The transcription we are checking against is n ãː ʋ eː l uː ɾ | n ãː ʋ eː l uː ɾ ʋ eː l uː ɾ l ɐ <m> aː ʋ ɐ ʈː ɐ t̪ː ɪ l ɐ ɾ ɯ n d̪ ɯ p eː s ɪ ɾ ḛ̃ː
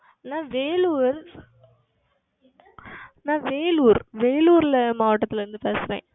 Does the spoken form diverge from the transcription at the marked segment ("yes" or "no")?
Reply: no